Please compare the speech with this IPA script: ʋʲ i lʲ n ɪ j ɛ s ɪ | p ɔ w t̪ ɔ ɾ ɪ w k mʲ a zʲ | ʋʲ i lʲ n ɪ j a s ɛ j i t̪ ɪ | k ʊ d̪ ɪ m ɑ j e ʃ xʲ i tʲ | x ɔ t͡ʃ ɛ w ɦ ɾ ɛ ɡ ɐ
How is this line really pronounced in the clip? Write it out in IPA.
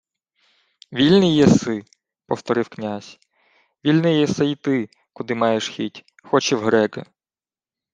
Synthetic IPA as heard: ʋʲ i lʲ n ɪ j ɛ s ɪ | p ɔ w t̪ ɔ ɾ ɪ w k nʲ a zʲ | ʋʲ i lʲ n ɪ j ɛ s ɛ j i t̪ ɪ | k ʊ d̪ ɪ m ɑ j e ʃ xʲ i tʲ | x ɔ t͡ʃ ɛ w ɦ ɾ ɛ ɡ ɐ